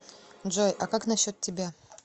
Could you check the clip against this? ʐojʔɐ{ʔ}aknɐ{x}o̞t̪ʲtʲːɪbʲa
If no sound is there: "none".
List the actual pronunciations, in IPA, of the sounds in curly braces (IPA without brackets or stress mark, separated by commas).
k, ɕ